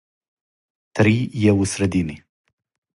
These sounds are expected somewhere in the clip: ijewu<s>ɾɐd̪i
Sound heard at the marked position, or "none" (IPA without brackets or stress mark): s